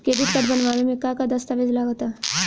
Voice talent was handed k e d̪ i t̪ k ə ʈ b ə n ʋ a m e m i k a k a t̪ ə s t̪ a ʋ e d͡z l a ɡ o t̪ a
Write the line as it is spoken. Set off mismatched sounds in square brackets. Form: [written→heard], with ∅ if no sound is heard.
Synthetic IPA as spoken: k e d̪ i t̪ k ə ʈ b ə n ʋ a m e m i k a k a [t̪→d̪] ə s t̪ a ʋ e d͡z l a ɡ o t̪ a